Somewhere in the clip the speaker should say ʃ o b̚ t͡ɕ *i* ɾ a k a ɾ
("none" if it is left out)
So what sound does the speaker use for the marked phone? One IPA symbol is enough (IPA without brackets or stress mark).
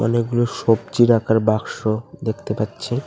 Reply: i